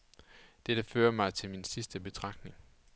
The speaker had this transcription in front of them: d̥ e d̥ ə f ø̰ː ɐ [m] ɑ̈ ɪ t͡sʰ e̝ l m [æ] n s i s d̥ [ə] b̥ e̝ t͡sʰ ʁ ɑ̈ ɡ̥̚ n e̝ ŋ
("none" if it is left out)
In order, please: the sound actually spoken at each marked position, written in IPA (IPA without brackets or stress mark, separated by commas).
m, i, ə